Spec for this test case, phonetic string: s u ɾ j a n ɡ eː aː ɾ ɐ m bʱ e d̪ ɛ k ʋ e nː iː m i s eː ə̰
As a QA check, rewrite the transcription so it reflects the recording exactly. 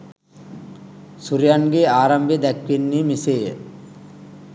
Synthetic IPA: s u ɾ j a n ɡ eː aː ɾ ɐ m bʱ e d̪ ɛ k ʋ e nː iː m i s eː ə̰

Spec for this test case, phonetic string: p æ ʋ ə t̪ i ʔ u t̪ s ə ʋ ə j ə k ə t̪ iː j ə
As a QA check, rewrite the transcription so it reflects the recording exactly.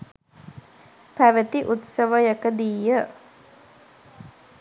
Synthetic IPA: p æ ʋ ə t̪ i ʔ u t̪ s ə ʋ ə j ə k ə d̪ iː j ə

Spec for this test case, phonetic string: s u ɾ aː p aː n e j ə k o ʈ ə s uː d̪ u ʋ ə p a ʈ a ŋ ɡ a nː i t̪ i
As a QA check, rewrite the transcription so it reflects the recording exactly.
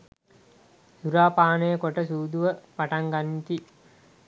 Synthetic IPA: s u ɾ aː p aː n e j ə k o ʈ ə s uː d̪ u ʋ ə p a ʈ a ŋ ɡ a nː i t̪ i

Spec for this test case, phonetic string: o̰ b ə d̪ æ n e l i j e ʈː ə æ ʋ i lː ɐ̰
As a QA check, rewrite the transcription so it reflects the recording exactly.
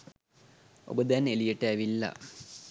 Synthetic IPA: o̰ b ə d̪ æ n e l i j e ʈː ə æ ʋ i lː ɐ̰

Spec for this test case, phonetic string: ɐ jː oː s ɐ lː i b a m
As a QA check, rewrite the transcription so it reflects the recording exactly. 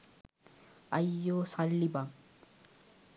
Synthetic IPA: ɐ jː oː s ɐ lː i b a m

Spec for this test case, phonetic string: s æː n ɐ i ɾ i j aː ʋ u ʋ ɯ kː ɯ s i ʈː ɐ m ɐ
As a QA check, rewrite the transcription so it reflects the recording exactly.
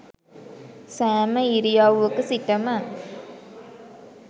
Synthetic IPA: s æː m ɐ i ɾ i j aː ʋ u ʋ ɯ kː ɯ s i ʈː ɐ m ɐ

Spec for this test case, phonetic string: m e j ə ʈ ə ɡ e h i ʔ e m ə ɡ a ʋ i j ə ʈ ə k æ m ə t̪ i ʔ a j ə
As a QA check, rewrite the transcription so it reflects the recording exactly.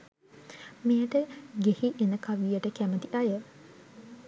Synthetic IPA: m e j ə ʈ ə ɡ e h i ʔ e n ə k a ʋ i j ə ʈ ə k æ m ə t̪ i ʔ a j ə

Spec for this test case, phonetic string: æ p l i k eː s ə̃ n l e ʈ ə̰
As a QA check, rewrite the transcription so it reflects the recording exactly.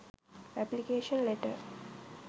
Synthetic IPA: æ p l i k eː ʃ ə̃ n l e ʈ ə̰

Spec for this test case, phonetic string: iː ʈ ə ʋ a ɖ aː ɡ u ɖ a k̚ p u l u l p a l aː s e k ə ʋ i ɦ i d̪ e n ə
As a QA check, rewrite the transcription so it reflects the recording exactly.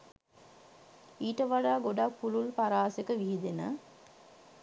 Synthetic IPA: iː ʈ ə ʋ a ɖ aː ɡ o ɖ a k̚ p u l u l p a ɾ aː s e k ə ʋ i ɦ i d̪ e n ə

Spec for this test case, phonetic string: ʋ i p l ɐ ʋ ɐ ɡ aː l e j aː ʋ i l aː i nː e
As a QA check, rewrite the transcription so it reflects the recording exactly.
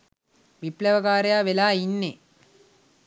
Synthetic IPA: ʋ i p l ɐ ʋ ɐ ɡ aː ɾ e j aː ʋ e l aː i nː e

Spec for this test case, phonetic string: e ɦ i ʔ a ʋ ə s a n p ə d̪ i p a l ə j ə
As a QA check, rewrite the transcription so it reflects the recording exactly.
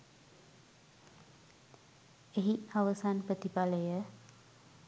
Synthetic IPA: e ɦ i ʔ a ʋ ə s a n p ə t̪ i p a l ə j ə

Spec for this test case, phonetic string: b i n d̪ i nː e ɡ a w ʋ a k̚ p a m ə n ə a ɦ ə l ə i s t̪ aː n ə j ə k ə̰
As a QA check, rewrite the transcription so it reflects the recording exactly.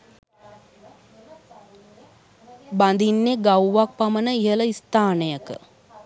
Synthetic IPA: b a n d̪ i nː e ɡ a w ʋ a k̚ p a m ə n ə i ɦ ə l ə i s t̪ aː n ə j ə k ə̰

